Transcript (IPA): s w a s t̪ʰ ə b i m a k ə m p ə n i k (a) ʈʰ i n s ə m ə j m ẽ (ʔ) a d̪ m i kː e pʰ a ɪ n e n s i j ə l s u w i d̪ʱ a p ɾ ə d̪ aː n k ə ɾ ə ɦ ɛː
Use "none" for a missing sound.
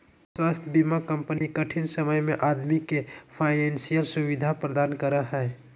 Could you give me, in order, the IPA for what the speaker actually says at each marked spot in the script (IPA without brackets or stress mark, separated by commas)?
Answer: ə, ʔ